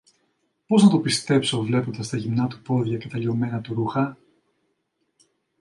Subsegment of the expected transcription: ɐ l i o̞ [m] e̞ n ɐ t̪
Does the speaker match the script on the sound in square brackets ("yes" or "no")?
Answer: yes